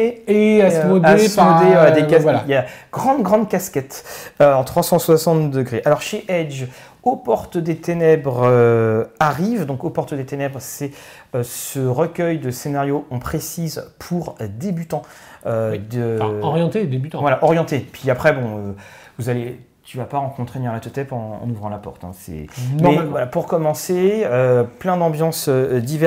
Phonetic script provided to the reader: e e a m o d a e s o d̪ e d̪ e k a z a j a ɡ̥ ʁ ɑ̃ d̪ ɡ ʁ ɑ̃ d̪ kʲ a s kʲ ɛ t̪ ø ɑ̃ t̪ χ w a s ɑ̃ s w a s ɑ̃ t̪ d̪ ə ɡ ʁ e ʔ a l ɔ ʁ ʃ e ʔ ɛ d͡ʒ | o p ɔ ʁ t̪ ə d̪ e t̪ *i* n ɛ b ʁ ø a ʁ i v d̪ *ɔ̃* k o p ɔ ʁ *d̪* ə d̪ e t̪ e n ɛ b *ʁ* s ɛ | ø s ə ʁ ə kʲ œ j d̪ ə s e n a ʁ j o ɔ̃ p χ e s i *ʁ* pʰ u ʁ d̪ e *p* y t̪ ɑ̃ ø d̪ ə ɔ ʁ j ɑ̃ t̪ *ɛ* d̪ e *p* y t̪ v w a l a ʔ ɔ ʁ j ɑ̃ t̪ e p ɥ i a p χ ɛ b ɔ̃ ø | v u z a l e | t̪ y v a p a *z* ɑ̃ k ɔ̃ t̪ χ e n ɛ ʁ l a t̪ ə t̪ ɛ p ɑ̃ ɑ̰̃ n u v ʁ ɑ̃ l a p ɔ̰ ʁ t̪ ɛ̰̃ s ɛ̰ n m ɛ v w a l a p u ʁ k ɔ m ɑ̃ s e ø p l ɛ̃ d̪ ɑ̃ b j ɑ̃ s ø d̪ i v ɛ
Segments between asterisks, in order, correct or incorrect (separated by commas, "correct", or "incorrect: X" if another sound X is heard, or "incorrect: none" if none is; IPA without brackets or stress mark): incorrect: e, correct, incorrect: t̪, correct, incorrect: z, incorrect: b, incorrect: e, incorrect: b, incorrect: ʁ